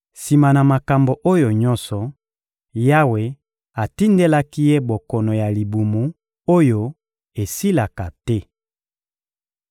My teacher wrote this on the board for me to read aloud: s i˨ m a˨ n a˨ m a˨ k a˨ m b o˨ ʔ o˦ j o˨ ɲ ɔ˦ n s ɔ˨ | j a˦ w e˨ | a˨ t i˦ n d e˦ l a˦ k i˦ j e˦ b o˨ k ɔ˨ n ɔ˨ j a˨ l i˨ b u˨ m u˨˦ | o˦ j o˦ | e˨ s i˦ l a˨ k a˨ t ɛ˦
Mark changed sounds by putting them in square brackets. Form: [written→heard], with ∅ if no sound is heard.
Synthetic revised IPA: s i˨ m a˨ n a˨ m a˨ k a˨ m b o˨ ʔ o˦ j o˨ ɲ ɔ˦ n s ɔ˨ | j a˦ w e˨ | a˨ t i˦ n d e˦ l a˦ k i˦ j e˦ b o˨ k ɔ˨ n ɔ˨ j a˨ l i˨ b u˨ m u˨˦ | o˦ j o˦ | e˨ s i˦ l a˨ k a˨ t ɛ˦